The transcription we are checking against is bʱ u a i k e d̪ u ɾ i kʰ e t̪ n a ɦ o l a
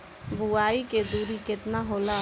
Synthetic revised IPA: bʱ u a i k e d̪ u ɾ i k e t̪ n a ɦ o l a